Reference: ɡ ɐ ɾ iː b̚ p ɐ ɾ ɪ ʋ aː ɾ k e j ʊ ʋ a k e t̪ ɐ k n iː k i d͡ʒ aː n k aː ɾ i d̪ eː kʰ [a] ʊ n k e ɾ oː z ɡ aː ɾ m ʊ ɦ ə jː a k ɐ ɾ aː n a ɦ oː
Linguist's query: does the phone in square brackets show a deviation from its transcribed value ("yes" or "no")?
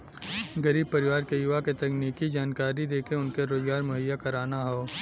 yes